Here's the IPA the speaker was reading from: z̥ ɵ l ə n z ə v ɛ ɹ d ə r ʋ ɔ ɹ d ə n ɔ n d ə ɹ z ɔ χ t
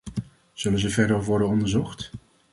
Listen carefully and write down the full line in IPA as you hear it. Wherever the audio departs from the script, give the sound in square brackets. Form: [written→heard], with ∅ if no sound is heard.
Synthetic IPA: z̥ ɵ l ə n z ə v ɛ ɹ d ə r ʋ ɔ ɹ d ə n ɔ n d ə ɹ z ɔ χ t